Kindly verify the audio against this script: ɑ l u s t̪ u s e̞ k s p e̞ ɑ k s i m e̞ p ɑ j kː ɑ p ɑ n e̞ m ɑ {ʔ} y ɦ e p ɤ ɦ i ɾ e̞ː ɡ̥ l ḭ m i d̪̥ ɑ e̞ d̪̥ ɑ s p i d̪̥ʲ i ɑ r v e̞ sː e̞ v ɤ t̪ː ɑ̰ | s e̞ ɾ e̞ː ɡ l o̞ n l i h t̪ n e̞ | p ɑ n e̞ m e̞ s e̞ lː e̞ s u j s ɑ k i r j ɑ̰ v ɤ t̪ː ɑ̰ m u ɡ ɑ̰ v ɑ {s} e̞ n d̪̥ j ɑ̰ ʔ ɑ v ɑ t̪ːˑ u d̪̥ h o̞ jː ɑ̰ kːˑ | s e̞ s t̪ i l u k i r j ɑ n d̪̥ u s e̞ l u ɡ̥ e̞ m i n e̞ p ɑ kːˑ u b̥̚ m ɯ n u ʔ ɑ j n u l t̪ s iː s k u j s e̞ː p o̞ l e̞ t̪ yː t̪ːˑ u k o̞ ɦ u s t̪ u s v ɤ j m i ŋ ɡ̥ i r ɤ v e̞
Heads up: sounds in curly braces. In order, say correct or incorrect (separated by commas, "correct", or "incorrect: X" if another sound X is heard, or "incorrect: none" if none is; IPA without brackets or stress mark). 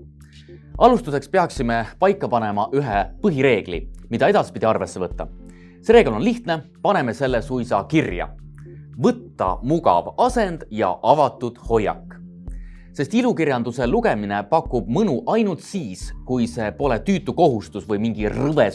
correct, correct